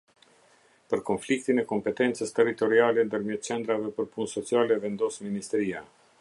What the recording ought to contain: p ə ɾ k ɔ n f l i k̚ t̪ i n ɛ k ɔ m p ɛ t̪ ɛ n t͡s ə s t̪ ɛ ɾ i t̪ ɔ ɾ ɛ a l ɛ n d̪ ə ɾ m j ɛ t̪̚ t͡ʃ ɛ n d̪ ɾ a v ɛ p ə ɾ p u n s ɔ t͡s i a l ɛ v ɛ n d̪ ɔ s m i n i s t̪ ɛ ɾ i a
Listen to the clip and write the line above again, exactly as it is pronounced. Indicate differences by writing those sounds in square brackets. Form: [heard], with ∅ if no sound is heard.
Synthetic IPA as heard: p ə ɾ k ɔ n f l i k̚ t̪ i n ɛ k ɔ m p ɛ t̪ ɛ n t͡s ə s t̪ ɛ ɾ i t̪ ɔ ɾ [i] a l ɛ n d̪ ə ɾ m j ɛ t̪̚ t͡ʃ ɛ n d̪ ɾ a v ɛ p ə ɾ p u n s ɔ t͡s i a l ɛ v ɛ n d̪ ɔ s m i n i s t̪ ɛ ɾ i a

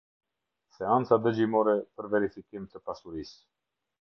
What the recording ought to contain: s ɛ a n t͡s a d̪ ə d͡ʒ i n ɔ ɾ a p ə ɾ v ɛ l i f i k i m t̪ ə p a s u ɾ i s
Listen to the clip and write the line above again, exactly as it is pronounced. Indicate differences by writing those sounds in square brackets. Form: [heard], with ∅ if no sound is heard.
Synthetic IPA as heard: s ɛ a n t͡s a d̪ ə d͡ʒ i [m] ɔ ɾ [ɛ] p ə ɾ v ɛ [ɾ] i f i k i m t̪ ə p a s u ɾ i s

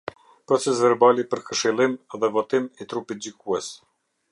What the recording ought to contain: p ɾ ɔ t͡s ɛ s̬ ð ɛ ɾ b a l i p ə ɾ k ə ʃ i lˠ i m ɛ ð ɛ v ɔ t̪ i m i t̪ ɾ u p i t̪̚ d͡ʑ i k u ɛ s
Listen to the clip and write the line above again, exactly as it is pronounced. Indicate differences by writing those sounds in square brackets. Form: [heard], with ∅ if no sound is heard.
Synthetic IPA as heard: p ɾ ɔ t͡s ɛ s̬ [v] ɛ ɾ b a l i p ə ɾ k ə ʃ i lˠ i m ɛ ð ɛ v ɔ t̪ i m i t̪ ɾ u p i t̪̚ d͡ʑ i k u ɛ s

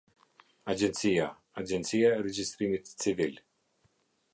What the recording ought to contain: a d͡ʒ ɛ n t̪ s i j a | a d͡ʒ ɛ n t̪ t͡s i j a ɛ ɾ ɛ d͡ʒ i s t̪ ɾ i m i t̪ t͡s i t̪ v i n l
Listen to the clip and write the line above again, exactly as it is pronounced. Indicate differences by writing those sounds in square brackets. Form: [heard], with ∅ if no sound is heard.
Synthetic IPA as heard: a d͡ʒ ɛ n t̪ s i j a | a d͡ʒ ɛ n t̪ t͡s i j a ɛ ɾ ɛ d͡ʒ i s t̪ ɾ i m i t̪ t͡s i [∅] v i [∅] l

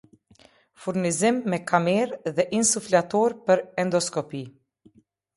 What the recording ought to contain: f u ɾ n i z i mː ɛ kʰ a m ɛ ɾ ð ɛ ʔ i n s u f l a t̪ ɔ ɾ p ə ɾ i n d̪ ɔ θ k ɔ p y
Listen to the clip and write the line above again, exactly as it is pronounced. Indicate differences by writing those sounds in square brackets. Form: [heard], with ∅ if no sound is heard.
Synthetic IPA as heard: f u ɾ n i z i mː ɛ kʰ a m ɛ ɾ ð ɛ ʔ i n s u f l a t̪ ɔ ɾ p ə ɾ [ɛ] n d̪ ɔ [s] k ɔ p [i]

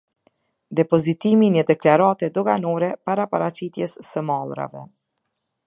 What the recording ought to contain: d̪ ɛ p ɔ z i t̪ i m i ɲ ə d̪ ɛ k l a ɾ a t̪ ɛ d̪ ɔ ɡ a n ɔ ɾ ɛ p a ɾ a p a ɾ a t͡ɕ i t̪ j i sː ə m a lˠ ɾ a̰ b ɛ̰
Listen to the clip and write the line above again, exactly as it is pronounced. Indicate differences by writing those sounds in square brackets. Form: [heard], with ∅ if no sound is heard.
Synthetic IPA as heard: d̪ ɛ p ɔ z i t̪ i m i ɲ ə d̪ ɛ k l a ɾ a t̪ ɛ d̪ ɔ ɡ a n ɔ ɾ ɛ p a ɾ a p a ɾ a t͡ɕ i t̪ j [ɛ] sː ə m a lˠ ɾ a̰ [v] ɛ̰

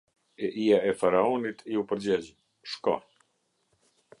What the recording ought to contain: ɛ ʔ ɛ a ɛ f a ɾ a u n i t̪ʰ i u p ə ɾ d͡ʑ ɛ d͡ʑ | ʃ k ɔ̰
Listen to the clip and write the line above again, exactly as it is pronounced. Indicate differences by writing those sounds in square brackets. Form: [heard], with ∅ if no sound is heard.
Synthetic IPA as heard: ɛ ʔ [i] a ɛ f a ɾ a [ɔ] n i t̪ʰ i u p ə ɾ d͡ʑ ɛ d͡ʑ | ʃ k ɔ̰

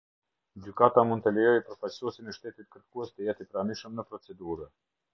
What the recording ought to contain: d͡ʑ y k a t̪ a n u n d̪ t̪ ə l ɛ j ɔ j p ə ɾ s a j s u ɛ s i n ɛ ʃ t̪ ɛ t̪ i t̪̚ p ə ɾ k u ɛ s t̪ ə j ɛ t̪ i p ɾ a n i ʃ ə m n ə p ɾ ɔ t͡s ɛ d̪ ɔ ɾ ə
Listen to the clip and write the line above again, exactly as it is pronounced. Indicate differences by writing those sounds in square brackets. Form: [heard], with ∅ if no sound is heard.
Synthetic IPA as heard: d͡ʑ y k a t̪ a [m] u n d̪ t̪ ə l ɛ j ɔ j p ə ɾ [f] a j s u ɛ s i n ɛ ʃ t̪ ɛ t̪ i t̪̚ [k] ə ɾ k u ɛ s t̪ ə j ɛ t̪ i p ɾ a n i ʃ ə m n ə p ɾ ɔ t͡s ɛ d̪ [u] ɾ ə

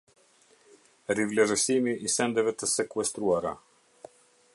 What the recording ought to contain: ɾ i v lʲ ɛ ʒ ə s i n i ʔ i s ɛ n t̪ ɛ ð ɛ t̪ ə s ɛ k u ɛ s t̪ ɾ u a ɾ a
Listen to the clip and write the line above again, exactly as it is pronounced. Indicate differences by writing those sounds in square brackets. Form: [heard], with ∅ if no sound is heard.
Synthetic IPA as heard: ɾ i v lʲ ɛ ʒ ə s i [m] i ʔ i s ɛ n [d̪] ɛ [v] ɛ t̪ ə s ɛ k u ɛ s t̪ ɾ u a ɾ a

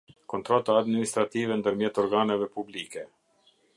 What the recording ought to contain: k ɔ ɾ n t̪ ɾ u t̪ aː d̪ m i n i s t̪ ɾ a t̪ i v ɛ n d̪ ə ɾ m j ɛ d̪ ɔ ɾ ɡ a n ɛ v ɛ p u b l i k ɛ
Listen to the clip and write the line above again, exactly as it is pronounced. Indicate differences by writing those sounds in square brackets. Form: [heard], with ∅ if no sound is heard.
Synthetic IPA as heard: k ɔ [∅] n t̪ ɾ [ɔ] t̪ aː d̪ m i n i s t̪ ɾ a t̪ i v ɛ n d̪ ə ɾ m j ɛ [t̪] ɔ ɾ ɡ a n ɛ v ɛ p u b l i k ɛ

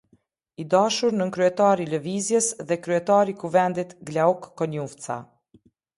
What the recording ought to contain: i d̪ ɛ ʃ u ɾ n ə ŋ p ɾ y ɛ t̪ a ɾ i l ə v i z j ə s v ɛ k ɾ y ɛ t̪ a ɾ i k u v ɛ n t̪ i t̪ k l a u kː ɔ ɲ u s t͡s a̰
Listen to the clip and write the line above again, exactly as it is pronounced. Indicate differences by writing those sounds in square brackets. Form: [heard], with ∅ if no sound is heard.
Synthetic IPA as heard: i d̪ [a] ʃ u ɾ n ə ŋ [k] ɾ y ɛ t̪ a ɾ i l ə v i z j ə s [ð] ɛ k ɾ y ɛ t̪ a ɾ i k u v ɛ n [d̪] i t̪ [ɡ] l a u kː ɔ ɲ u [f] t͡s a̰

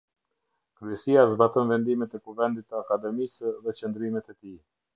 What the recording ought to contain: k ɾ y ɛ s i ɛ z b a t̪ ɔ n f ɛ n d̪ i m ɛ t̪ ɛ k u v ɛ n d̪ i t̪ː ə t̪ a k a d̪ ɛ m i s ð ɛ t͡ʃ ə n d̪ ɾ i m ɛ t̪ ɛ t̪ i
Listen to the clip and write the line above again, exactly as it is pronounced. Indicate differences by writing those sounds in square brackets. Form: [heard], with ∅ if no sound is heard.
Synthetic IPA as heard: k ɾ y ɛ s i [a] z b a t̪ ɔ n [v] ɛ n d̪ i m ɛ t̪ ɛ k u v ɛ n d̪ i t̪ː ə [∅] a k a d̪ ɛ m i s ð ɛ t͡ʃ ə n d̪ ɾ i m ɛ t̪ ɛ t̪ i

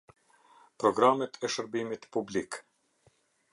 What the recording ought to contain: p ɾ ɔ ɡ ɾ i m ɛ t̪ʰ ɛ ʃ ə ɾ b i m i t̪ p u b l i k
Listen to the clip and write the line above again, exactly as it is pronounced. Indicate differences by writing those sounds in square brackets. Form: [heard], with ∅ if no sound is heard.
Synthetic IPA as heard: p ɾ ɔ ɡ ɾ [a] m ɛ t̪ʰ ɛ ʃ ə ɾ b i m i t̪ p u b l i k

